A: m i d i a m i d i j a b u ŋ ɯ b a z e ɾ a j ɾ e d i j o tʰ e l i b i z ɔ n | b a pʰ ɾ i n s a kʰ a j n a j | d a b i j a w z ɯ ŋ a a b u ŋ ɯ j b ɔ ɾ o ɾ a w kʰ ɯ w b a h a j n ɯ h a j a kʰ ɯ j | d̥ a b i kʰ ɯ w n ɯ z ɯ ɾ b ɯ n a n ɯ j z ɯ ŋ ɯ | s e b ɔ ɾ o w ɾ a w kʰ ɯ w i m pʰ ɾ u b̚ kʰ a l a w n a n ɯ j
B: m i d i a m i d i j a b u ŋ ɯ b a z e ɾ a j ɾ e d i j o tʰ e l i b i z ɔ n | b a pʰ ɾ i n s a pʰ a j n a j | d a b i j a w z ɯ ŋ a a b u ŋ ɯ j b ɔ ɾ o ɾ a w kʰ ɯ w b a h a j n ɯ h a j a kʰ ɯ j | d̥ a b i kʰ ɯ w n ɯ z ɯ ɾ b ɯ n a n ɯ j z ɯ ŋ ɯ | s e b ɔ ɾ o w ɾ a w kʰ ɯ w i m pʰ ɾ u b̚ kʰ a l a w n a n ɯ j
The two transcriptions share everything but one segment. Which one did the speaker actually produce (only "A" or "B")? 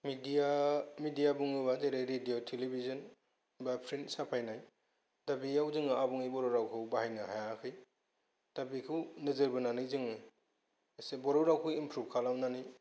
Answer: B